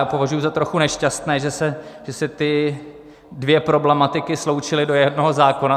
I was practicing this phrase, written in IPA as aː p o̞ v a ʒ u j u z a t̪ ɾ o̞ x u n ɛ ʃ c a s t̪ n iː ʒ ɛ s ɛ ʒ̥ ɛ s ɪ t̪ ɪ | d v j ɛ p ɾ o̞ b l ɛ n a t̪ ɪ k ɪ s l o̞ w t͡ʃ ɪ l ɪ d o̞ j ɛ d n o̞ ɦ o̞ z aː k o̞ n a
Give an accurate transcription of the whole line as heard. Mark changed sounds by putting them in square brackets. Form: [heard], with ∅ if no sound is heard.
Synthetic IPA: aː p o̞ v a ʒ u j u z a t̪ ɾ o̞ x u n ɛ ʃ c a s t̪ n [ɛː] ʒ ɛ s ɛ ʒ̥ ɛ s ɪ t̪ ɪ | d v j ɛ p ɾ o̞ b l ɛ [m] a t̪ ɪ k ɪ s l o̞ w t͡ʃ ɪ l ɪ d o̞ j ɛ d n o̞ ɦ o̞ z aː k o̞ n a